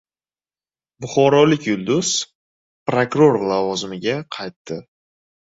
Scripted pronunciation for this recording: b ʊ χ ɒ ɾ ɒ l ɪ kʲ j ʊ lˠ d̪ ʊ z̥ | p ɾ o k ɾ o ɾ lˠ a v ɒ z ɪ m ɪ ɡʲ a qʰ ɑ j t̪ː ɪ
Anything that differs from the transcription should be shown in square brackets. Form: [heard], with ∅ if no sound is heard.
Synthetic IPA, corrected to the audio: b ʊ χ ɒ ɾ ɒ l ɪ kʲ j ʊ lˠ d̪ ʊ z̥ | p ɾ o k ɾ o ɾ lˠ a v ɒ z ɪ m ɪ ɡʲ a qʰ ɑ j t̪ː ɪ

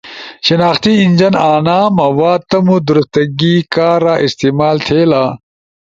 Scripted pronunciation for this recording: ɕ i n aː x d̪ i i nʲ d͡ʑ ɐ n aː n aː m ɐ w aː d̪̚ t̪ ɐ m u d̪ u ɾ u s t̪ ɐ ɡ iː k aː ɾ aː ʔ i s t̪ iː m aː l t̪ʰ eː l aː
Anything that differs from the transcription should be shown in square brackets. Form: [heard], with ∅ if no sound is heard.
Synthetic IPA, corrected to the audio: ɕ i n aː x [t̪] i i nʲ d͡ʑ ɐ n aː n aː m ɐ w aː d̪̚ t̪ ɐ m u d̪ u ɾ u s t̪ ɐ ɡ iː k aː ɾ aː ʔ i s t̪ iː m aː l t̪ʰ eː l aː

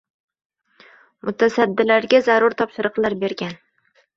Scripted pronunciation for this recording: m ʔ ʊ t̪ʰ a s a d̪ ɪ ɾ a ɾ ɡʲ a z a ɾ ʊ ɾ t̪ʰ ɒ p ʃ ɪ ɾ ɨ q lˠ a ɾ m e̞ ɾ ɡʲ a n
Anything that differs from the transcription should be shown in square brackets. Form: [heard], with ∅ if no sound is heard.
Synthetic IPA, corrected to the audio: m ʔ ʊ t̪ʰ a s a [d̪ː] ɪ [l] a ɾ ɡʲ a z a ɾ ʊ ɾ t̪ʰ ɒ p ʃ ɪ ɾ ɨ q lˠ a ɾ [b] e̞ ɾ ɡʲ a n

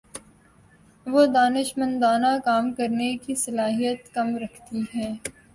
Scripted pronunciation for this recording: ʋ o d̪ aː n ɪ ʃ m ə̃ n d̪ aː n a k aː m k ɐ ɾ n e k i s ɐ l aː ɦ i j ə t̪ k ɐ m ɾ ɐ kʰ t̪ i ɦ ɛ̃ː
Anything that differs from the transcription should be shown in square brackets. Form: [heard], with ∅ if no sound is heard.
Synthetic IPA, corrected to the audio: ʋ o d̪ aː n ɪ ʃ m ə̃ n d̪ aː n a k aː m k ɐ ɾ n e k i s ɐ l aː ɦ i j ə t̪ k ɐ m ɾ ɐ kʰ t̪ i ɦ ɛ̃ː

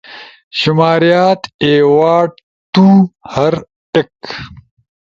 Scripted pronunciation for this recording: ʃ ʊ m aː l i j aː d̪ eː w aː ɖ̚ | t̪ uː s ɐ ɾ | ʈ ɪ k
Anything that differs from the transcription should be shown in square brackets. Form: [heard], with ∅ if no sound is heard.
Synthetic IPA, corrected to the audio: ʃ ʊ m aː [ɾ] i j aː [t̪] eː w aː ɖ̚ | t̪ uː [h] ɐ ɾ | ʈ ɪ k

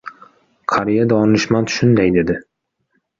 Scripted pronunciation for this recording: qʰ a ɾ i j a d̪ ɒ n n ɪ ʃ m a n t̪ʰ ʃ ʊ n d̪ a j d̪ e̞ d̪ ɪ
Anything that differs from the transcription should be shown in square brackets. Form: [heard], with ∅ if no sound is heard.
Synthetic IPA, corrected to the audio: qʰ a ɾ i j a d̪ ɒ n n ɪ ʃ m a n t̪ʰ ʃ ʊ n d̪ a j d̪ e̞ d̪ ɪ

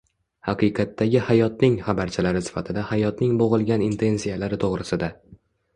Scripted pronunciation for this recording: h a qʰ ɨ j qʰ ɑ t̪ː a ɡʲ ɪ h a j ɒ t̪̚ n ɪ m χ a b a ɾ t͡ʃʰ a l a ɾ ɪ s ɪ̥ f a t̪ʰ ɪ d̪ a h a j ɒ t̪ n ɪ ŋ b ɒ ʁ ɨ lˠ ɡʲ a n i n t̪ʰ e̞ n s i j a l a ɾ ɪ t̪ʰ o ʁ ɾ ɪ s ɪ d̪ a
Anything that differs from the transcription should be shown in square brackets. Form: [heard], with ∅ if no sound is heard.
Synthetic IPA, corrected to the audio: h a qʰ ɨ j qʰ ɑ t̪ː a ɡʲ ɪ h a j ɒ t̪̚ n ɪ [ŋ] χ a b a ɾ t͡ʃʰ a l a ɾ ɪ s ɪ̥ f a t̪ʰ ɪ d̪ a h a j ɒ t̪ n ɪ ŋ b [o] ʁ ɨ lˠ ɡʲ a n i n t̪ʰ e̞ n s i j a l a ɾ ɪ t̪ʰ o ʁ ɾ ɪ s ɪ d̪ a

